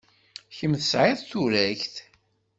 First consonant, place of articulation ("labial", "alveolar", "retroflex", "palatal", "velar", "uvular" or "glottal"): palatal